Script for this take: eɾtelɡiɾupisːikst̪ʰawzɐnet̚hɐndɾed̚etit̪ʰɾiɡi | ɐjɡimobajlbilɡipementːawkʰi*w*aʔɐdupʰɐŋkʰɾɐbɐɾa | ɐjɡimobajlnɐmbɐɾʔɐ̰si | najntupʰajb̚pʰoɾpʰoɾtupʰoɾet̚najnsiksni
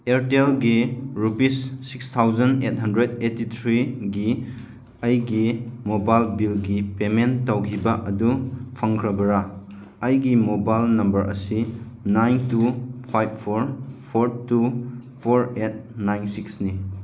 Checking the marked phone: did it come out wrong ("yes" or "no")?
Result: yes